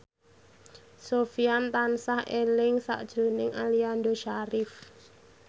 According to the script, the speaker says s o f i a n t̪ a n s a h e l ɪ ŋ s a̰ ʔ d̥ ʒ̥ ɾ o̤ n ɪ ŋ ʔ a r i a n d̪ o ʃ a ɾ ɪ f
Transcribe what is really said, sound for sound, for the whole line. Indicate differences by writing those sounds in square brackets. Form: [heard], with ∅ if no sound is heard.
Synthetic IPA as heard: s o f i a n t̪ a n s a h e l ɪ ŋ s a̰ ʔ d̥ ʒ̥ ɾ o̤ n ɪ ŋ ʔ a [l] i a n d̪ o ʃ a ɾ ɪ f